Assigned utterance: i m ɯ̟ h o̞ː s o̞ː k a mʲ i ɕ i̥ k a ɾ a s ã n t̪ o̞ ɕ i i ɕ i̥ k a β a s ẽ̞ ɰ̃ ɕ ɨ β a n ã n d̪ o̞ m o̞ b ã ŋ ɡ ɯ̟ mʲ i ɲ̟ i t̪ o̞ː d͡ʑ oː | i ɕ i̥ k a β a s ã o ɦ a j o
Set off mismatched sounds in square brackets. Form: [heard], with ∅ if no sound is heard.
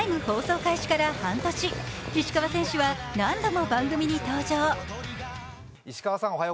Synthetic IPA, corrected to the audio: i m ɯ̟ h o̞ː s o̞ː k a [∅] i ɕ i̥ k a ɾ a [h] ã n t̪ o̞ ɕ i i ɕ i̥ k a β a s ẽ̞ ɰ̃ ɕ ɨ β a n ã n d̪ o̞ m o̞ b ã ŋ ɡ ɯ̟ mʲ i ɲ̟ i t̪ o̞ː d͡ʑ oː | i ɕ i̥ k a β a s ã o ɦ a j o